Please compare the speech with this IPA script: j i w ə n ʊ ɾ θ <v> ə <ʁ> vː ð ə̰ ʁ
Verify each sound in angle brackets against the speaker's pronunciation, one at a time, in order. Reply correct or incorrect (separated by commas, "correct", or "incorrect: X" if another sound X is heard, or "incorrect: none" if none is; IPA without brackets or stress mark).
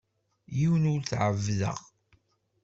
incorrect: ʕ, incorrect: none